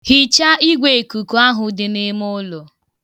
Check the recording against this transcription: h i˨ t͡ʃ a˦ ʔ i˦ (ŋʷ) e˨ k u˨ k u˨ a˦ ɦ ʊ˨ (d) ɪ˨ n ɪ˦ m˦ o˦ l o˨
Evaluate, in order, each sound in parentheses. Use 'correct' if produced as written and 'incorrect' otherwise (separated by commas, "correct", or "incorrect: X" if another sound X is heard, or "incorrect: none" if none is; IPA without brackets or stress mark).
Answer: incorrect: ɡʷ, correct